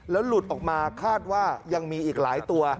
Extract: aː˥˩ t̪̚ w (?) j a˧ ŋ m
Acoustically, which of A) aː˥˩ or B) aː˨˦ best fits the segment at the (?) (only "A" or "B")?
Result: A